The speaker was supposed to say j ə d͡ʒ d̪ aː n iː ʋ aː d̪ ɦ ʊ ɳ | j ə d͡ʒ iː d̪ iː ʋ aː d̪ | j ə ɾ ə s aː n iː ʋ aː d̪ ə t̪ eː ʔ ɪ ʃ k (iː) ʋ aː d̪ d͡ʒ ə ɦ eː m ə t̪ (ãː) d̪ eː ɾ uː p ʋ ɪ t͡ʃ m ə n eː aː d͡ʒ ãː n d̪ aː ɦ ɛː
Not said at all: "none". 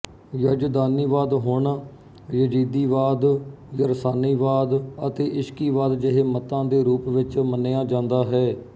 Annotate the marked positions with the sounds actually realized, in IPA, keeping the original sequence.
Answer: iː, ãː

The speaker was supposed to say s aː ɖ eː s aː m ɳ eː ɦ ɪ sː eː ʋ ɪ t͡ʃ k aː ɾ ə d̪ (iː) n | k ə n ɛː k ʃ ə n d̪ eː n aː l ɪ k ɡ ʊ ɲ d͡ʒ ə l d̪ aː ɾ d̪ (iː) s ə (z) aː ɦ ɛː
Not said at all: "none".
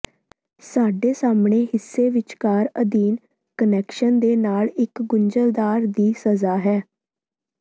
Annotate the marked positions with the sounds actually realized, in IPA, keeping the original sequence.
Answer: iː, iː, z

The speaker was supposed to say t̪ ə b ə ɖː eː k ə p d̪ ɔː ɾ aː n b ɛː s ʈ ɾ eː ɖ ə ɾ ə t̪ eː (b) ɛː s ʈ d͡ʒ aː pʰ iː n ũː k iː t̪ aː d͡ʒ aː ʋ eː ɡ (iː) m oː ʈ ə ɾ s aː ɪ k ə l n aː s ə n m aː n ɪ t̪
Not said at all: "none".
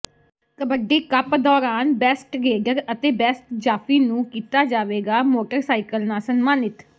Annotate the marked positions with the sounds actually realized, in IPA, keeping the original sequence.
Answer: b, aː

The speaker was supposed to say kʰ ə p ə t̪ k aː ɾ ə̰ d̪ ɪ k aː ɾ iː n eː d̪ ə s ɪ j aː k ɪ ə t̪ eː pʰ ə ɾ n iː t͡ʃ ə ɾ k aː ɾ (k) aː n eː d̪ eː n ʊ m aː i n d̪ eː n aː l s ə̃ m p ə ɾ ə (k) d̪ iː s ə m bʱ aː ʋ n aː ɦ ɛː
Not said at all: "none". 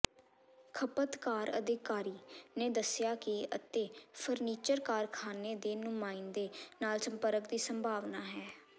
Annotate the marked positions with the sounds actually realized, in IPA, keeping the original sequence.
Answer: kʰ, k

